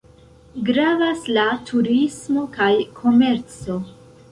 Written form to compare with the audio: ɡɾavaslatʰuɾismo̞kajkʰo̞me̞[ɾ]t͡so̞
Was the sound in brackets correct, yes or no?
yes